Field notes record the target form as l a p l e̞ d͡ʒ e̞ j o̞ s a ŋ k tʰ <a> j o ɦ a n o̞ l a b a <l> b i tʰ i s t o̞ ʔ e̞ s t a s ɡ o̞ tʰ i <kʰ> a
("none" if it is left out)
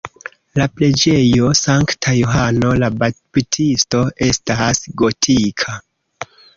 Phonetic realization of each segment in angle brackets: a, none, kʰ

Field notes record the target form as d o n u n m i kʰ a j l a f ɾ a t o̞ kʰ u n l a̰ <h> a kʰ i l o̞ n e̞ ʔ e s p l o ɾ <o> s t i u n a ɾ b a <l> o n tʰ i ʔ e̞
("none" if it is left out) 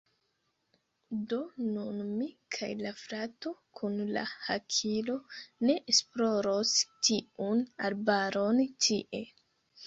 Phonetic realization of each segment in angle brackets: h, o, ɾ

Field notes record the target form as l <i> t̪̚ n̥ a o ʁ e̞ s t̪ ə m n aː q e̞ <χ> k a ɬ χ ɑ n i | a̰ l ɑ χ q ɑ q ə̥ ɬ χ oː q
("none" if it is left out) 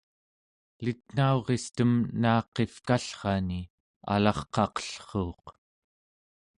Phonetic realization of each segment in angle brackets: i, f

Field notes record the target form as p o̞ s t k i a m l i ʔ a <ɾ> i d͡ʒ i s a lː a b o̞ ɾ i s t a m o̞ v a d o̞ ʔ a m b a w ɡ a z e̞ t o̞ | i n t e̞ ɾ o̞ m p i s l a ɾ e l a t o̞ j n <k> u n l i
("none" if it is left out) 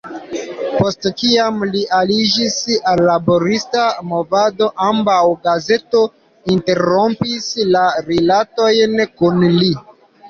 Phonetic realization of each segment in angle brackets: l, k

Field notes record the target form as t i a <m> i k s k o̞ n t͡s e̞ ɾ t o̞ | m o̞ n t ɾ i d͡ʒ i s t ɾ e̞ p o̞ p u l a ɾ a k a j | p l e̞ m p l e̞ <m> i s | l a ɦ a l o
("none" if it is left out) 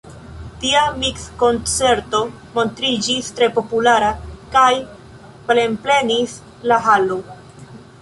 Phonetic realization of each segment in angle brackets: m, n

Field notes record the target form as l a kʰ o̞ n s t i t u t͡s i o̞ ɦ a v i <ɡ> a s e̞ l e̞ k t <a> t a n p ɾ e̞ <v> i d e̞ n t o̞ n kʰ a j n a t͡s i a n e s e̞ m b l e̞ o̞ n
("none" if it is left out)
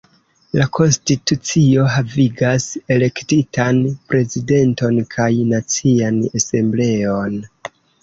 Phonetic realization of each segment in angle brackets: ɡ, i, z

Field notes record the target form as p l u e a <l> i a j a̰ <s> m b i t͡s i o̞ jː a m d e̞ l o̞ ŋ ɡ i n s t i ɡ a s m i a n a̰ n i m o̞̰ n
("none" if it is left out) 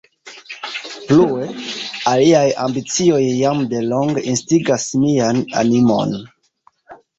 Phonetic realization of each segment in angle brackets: l, none

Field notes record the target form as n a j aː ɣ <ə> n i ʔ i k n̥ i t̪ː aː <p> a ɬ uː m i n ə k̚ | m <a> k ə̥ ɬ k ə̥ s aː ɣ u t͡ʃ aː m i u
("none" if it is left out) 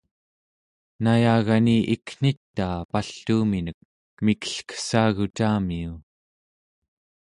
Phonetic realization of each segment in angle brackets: a, p, i

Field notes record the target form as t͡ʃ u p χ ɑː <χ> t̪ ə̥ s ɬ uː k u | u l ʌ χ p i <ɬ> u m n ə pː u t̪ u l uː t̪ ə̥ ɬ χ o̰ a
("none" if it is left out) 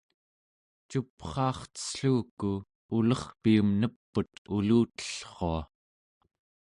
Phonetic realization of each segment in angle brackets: χ, none

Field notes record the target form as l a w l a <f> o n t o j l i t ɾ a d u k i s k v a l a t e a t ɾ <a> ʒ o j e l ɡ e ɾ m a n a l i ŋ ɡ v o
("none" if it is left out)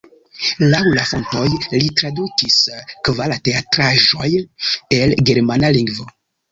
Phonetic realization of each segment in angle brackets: f, a

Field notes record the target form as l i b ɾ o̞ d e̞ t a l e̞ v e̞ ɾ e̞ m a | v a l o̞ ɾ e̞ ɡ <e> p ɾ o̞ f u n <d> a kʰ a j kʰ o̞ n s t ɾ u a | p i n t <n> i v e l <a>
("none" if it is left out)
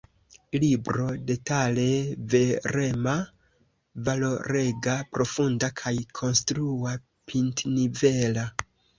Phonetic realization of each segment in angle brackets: a, d, n, a

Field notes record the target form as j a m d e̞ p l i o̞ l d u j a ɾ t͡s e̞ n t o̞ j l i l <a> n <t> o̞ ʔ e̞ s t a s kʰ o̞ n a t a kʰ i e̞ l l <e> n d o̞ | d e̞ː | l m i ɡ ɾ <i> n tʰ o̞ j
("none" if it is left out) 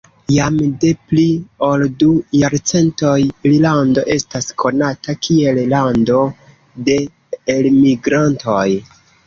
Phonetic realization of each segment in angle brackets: a, d, a, a

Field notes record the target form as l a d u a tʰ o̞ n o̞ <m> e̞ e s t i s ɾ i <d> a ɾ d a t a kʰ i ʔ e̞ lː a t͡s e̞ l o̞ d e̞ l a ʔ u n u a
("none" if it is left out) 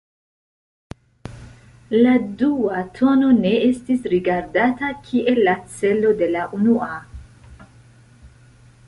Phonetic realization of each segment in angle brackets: n, ɡ

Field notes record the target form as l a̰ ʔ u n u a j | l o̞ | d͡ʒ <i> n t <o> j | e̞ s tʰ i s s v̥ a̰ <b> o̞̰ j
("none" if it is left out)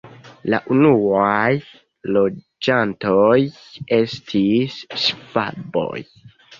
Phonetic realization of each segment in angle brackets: a, o, b

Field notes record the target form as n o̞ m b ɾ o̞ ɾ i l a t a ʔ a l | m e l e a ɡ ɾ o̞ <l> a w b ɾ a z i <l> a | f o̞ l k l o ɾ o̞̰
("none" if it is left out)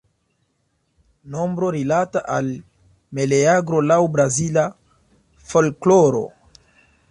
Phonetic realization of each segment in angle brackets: l, l

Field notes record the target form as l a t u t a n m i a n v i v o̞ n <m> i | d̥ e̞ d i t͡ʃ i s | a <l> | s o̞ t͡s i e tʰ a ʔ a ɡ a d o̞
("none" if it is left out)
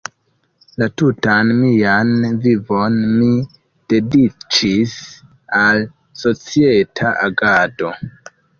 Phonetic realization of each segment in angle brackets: m, l

